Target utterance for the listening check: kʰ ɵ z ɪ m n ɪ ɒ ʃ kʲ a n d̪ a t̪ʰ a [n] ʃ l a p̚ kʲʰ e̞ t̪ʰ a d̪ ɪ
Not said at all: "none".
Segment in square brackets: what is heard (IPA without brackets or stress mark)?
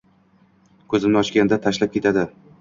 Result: none